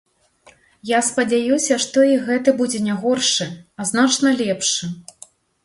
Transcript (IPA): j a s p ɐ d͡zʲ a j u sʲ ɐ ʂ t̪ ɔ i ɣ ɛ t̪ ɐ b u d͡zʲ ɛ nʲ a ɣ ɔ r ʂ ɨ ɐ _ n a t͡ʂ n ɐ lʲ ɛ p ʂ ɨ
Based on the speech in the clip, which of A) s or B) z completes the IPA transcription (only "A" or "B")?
B